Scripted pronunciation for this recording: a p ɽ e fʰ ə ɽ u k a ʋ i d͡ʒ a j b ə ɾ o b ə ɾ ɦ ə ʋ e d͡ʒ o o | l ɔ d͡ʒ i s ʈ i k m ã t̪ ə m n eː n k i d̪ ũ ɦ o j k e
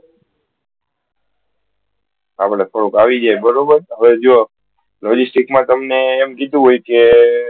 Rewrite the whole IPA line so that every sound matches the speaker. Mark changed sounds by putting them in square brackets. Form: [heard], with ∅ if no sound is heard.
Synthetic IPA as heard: a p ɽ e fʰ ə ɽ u k a ʋ i d͡ʒ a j b ə ɾ o b ə ɾ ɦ ə ʋ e d͡ʒ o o | l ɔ d͡ʒ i s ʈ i k m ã t̪ ə m n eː [m] k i d̪ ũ ɦ o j k e

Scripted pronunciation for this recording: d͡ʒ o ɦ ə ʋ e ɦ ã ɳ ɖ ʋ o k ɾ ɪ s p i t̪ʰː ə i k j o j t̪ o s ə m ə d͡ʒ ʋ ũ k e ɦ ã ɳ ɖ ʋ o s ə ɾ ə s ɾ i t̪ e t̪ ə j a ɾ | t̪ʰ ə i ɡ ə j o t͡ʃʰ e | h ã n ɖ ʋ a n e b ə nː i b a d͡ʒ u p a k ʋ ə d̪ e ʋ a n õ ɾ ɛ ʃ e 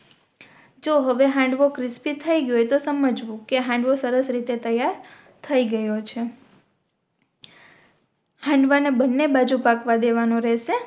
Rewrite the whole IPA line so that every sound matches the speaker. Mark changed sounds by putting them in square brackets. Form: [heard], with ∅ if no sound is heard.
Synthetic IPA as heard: d͡ʒ o ɦ ə ʋ e ɦ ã ɳ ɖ ʋ o k ɾ ɪ s p i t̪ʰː ə i [ɡ] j o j t̪ o s ə m ə d͡ʒ ʋ ũ k e ɦ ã ɳ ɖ ʋ o s ə ɾ ə s ɾ i t̪ e t̪ ə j a ɾ | t̪ʰ ə i ɡ ə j o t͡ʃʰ e | h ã [ɳ] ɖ ʋ a n e b ə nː [e] b a d͡ʒ u p a k ʋ [a] d̪ e ʋ a n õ ɾ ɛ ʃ e

